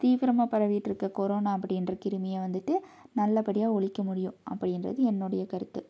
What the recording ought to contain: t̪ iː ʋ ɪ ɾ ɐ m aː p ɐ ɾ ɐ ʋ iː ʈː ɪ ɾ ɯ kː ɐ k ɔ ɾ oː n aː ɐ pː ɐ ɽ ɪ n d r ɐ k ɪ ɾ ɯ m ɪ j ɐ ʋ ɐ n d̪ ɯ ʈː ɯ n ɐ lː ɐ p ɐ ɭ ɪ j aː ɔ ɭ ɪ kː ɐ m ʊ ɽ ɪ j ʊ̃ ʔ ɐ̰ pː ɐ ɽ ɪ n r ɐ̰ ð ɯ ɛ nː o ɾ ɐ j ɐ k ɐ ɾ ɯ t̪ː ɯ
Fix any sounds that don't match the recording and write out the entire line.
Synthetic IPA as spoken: t̪ iː ʋ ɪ ɾ ɐ m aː p ɐ ɾ ɐ ʋ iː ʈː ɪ ɾ ɯ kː ɐ k ɔ ɾ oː n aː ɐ pː ɐ ɽ ɪ n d r ɐ k ɪ ɾ ɯ m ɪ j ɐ ʋ ɐ n d̪ ɯ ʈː ɯ n ɐ lː ɐ p ɐ ɽ ɪ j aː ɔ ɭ ɪ kː ɐ m ʊ ɽ ɪ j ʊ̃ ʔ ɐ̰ pː ɐ ɽ ɪ n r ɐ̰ ð ɯ ɛ nː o ɽ ɐ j ɐ k ɐ ɾ ɯ t̪ː ɯ